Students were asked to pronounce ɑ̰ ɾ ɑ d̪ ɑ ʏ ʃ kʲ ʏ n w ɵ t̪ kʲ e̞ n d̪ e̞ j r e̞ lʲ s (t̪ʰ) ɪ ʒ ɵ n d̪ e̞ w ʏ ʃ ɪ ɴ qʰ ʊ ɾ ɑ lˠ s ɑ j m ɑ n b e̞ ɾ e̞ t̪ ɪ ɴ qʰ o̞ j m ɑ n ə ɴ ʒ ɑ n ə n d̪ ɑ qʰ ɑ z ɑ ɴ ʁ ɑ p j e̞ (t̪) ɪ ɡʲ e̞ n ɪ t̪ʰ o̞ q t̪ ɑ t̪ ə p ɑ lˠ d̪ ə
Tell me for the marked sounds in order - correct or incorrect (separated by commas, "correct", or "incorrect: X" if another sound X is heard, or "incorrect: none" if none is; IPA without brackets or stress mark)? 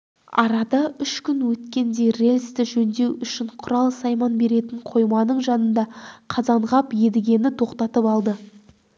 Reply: incorrect: t̪, incorrect: d̪